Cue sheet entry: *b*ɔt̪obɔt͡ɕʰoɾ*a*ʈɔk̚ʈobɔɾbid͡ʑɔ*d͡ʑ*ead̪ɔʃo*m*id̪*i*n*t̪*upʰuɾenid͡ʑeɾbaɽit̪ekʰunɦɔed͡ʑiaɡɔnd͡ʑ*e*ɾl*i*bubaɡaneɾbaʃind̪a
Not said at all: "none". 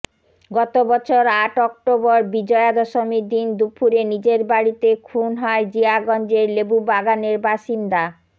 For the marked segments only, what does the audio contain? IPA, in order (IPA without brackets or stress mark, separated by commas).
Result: ɡ, a, none, m, i, d̪, e, e